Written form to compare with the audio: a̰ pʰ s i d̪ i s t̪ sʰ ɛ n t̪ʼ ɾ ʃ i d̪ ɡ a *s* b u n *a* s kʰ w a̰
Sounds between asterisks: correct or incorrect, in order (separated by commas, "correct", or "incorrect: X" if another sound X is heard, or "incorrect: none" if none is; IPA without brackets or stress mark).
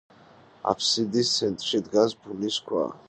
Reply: correct, incorrect: i